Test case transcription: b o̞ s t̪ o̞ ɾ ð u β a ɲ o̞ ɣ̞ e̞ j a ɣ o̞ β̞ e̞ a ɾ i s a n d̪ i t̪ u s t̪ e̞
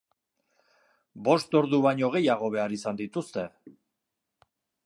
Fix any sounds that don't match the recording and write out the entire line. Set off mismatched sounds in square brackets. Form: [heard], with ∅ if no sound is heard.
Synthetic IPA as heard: b o̞ s t̪ o̞ ɾ ð u β a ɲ o̞ ɣ̞ e̞ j a ɣ o̞ β̞ e̞ a ɾ i s a n d̪ i t̪ u s t̪ e̞